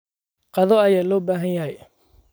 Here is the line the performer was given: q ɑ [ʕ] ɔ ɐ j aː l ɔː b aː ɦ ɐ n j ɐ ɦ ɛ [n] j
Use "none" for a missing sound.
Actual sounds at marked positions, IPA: ð, none

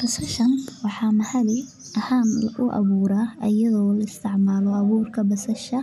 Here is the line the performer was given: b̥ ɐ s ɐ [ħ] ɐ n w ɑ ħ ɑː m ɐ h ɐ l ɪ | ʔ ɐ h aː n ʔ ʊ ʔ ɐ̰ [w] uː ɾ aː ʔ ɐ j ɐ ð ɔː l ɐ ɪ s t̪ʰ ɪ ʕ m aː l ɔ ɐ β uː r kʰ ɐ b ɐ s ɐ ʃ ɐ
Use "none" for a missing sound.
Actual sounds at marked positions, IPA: ʃ, β

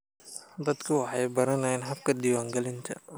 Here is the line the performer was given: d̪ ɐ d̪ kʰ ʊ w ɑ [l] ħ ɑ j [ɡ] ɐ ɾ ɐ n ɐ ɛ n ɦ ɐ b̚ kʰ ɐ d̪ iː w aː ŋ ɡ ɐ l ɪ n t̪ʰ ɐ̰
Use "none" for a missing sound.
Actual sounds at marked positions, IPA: none, b

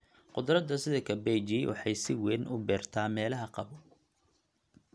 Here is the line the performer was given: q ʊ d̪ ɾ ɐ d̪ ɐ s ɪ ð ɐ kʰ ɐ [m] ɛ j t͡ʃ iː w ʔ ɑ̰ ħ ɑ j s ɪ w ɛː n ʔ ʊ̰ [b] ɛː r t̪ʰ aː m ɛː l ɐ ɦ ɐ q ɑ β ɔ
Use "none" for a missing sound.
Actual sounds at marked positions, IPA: b, b

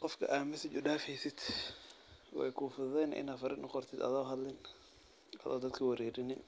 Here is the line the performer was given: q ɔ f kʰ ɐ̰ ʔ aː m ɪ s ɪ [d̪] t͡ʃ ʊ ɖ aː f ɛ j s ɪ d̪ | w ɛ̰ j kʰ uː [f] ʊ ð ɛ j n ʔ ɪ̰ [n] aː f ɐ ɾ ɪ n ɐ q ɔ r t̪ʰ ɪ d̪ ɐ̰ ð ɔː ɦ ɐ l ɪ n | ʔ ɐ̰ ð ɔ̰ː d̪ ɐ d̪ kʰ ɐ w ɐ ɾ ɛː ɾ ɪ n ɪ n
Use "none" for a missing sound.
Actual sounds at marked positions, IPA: none, f, n

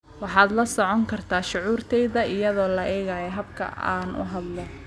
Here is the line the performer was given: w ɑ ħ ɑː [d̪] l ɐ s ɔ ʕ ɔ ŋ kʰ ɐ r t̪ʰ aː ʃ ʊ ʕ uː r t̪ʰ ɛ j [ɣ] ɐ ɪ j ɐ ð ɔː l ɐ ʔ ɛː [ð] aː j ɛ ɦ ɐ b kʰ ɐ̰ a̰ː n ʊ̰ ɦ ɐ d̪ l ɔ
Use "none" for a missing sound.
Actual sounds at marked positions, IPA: d̪, ð, ɣ

